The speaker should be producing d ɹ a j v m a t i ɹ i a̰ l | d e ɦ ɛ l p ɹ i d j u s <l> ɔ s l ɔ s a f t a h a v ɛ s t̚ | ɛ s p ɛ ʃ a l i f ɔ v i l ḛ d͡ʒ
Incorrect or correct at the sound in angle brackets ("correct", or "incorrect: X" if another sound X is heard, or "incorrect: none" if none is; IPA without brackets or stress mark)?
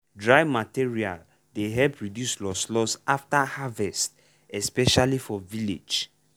correct